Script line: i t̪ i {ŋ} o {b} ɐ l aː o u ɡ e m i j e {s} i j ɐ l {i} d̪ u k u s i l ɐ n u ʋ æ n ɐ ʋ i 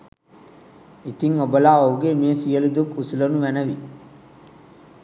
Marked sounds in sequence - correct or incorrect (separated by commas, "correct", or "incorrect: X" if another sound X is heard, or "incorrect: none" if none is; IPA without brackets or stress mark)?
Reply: correct, correct, correct, correct